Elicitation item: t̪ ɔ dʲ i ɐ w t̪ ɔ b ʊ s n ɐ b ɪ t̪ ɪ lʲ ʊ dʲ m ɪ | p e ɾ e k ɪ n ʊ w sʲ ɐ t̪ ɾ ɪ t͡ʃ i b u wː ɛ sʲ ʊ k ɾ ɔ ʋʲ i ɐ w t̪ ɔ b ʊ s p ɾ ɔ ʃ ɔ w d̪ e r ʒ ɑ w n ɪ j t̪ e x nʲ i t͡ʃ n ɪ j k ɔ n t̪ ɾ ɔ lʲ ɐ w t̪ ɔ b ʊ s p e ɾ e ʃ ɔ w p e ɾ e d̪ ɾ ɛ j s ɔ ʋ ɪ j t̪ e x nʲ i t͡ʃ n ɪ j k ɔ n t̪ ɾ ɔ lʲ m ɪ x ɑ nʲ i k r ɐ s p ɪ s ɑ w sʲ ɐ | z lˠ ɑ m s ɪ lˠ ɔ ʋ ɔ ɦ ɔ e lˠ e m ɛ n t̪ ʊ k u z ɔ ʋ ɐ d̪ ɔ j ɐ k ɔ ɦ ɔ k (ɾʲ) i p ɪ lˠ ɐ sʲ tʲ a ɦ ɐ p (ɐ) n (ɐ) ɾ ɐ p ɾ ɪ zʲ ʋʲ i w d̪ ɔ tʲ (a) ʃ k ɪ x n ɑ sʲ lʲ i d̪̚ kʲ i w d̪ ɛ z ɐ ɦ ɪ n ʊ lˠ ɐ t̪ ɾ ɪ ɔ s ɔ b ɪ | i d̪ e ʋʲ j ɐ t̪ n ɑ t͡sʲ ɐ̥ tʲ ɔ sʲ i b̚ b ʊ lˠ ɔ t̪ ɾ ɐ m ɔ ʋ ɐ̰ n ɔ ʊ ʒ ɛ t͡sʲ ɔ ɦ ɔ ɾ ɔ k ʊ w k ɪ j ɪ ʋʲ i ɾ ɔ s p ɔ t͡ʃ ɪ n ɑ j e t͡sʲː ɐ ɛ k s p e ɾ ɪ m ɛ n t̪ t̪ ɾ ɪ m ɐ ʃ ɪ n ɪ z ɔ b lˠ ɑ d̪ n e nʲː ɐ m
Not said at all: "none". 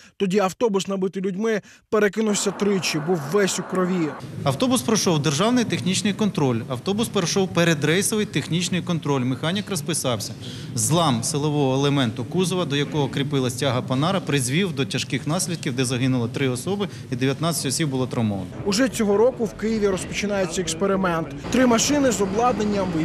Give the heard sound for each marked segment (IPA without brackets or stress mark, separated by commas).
ɾʲ, ɐ, ɑ, ɐ